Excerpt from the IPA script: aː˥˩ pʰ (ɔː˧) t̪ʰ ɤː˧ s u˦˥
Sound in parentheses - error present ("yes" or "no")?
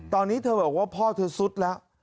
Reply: yes